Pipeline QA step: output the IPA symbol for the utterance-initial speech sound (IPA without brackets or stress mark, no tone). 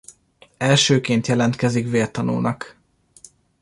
ɛ